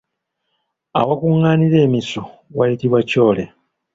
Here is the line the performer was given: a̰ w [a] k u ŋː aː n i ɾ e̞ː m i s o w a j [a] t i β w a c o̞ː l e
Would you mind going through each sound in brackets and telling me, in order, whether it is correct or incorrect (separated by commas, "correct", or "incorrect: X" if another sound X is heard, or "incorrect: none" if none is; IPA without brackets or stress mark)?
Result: correct, incorrect: i